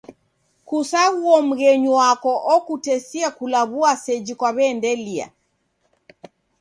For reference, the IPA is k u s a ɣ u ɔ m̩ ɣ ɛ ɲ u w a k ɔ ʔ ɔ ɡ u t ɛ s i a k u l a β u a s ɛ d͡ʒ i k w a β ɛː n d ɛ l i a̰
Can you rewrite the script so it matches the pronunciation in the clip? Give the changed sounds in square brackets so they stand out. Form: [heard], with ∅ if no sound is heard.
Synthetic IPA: k u s a ɣ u ɔ m̩ ɣ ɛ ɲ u w a k ɔ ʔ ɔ [k] u t ɛ s i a k u l a β u a s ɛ d͡ʒ i k w a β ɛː n d ɛ l i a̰